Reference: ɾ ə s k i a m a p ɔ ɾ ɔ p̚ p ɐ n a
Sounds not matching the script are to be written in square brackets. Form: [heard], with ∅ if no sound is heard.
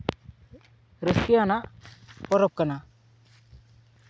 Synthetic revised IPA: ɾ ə s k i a [n] a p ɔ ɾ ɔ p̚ [k] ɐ n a